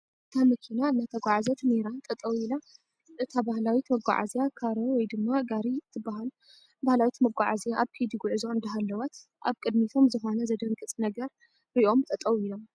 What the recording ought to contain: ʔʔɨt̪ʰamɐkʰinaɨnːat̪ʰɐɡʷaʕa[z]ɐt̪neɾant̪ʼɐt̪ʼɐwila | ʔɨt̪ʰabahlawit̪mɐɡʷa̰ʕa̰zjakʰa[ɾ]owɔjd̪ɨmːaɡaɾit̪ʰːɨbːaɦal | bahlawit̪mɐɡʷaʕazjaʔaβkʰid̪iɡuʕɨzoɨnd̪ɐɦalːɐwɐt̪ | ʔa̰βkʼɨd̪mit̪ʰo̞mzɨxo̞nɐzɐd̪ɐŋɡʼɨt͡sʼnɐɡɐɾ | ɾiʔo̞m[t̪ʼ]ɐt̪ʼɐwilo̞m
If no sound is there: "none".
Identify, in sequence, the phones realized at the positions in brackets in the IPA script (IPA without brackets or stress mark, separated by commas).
z, ɾ, t̪ʼ